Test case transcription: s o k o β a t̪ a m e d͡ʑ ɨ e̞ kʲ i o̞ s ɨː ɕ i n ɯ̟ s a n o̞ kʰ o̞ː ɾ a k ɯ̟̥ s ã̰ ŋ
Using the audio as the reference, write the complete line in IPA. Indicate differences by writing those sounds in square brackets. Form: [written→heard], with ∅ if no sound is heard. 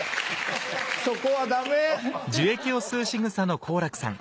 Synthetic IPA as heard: s o k o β a [t̪→d̪] a m e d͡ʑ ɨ e̞ kʲ i o̞ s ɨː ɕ i [n→ŋ] ɯ̟ s a n o̞ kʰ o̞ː ɾ a k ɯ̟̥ s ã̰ ŋ